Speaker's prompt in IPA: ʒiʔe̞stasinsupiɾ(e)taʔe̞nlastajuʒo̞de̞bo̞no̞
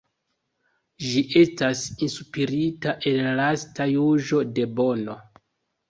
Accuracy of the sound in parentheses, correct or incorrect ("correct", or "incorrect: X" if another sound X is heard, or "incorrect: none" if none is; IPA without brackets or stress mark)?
incorrect: i